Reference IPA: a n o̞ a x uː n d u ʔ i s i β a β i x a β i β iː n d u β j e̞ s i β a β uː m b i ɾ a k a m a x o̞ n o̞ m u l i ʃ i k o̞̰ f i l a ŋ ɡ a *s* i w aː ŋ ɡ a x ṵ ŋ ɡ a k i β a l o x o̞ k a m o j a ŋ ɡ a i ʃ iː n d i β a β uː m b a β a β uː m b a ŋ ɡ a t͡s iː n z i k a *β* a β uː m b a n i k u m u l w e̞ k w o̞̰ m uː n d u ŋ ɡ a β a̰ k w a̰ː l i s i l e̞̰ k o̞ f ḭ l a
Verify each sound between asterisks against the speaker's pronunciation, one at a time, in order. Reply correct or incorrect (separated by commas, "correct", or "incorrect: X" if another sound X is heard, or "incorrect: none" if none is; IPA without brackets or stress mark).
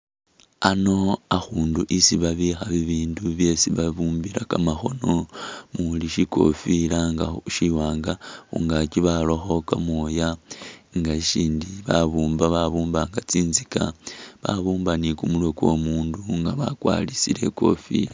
incorrect: ʃ, correct